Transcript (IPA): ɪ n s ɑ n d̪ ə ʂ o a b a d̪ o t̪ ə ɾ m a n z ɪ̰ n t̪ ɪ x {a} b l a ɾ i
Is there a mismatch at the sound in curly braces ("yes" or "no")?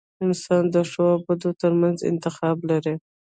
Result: yes